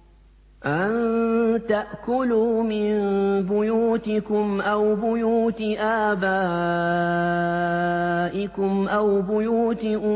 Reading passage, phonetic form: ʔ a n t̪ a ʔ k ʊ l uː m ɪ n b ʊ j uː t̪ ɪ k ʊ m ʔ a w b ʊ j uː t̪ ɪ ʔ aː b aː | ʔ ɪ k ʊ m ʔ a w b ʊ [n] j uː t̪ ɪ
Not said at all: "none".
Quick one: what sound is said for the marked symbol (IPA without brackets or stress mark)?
none